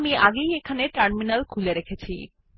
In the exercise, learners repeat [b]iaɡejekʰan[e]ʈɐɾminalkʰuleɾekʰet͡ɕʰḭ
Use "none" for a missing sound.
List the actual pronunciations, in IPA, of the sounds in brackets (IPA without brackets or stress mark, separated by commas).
m, e